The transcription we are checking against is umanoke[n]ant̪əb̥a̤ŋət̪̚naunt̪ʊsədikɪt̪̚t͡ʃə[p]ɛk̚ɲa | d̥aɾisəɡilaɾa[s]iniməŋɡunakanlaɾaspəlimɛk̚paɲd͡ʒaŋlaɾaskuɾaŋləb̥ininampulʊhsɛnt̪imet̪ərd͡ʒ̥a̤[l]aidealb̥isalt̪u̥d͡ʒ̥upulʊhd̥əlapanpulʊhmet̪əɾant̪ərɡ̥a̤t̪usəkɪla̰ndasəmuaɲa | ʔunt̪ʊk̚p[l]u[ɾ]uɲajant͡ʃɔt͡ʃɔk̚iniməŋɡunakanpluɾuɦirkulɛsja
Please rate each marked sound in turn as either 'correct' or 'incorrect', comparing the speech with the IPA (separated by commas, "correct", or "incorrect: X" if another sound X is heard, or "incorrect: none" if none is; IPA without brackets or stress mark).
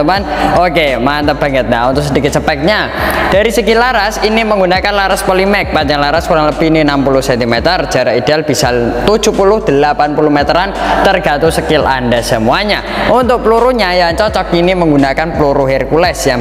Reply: incorrect: m, correct, correct, incorrect: ɾ, correct, correct